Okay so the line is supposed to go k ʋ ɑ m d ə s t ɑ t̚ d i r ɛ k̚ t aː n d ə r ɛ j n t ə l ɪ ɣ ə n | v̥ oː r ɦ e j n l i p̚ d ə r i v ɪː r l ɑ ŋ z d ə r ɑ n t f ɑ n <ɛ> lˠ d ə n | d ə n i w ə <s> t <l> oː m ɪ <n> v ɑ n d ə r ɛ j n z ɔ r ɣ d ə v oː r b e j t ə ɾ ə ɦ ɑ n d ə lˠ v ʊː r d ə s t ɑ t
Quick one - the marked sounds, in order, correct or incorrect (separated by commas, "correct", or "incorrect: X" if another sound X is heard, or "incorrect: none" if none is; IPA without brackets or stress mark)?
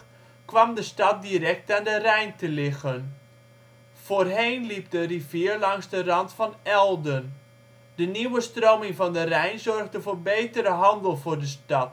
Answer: correct, correct, incorrect: r, incorrect: ŋ